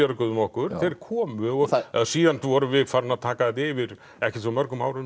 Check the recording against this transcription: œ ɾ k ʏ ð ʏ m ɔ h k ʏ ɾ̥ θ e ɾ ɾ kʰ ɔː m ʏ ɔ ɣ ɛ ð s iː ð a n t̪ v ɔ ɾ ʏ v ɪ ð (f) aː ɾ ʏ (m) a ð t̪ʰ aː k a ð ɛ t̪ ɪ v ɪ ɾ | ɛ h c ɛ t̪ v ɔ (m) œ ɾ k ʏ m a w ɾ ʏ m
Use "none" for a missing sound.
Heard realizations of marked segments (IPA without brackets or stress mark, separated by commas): f, n, m